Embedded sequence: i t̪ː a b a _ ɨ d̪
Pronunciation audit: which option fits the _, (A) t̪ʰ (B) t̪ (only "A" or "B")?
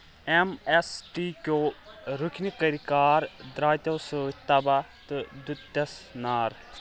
B